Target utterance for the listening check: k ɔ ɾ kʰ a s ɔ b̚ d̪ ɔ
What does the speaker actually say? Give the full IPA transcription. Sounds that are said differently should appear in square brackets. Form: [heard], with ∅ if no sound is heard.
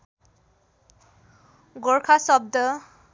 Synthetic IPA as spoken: [ɡ] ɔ [ɹ] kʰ a s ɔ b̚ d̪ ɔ